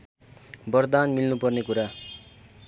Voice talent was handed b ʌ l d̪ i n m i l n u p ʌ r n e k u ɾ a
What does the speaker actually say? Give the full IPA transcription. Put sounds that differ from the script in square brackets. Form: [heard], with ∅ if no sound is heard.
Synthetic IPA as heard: b ʌ [r] d̪ [a] n m i l n u p ʌ r n e k u ɾ a